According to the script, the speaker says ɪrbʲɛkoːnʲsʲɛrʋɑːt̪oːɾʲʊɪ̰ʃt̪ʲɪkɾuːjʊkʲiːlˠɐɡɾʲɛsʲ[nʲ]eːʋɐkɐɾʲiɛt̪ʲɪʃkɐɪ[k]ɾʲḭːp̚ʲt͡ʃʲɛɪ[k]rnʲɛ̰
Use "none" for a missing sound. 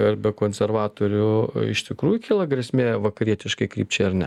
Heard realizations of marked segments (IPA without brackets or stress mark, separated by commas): mʲ, k, none